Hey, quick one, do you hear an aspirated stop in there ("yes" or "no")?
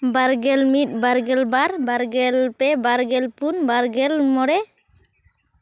no